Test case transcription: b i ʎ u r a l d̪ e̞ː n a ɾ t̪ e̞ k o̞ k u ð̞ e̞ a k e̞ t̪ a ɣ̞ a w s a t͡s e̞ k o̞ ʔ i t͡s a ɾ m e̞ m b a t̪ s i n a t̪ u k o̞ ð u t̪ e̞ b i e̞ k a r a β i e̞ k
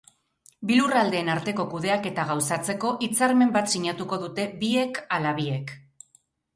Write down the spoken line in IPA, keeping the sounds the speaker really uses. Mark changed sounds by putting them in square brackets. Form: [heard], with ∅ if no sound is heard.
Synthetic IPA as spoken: b i [l] u r a l d̪ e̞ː n a ɾ t̪ e̞ k o̞ k u ð̞ e̞ a k e̞ t̪ a ɣ̞ a w s a t͡s e̞ k o̞ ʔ i t͡s a ɾ m e̞ m b a t̪ s i [ɲ] a t̪ u k o̞ ð u t̪ e̞ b i e̞ k a [l] a β i e̞ k